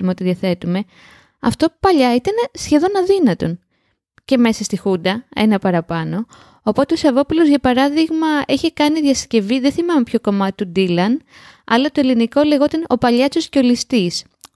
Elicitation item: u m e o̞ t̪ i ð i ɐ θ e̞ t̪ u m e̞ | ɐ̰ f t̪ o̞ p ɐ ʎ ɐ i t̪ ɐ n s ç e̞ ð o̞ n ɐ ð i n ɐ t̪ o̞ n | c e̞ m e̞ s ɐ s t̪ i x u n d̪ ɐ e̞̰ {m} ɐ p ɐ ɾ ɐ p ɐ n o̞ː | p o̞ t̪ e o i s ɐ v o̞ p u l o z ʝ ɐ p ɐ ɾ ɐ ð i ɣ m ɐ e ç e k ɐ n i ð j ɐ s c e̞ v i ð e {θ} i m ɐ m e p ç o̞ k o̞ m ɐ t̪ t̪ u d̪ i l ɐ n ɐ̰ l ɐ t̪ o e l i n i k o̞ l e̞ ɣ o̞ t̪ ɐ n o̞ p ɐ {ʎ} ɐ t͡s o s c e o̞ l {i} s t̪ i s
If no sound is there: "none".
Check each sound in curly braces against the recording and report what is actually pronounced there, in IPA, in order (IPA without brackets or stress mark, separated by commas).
n, θ, ʎ, i